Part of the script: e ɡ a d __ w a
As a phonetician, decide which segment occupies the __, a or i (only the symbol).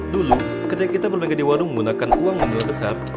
i